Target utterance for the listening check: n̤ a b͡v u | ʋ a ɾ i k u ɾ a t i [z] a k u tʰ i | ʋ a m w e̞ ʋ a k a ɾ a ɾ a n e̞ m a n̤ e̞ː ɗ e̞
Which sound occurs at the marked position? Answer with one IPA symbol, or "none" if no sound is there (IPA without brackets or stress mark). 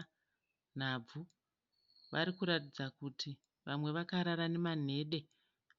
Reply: d͡z